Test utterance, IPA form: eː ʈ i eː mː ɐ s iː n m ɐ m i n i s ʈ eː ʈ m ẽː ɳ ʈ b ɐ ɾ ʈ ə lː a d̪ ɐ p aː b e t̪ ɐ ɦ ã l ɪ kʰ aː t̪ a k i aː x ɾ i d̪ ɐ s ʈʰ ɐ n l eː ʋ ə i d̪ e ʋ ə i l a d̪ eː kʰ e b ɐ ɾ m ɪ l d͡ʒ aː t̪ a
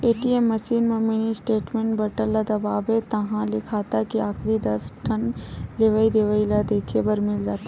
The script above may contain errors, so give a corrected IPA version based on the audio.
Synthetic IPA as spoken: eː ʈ i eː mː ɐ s iː n m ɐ m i n i s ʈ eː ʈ m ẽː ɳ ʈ b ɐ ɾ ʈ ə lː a d̪ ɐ b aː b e t̪ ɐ ɦ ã l ɪ kʰ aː t̪ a k i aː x ɾ i d̪ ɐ s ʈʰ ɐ n l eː ʋ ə i d̪ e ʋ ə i l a d̪ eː kʰ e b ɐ ɾ m ɪ l d͡ʒ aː t̪ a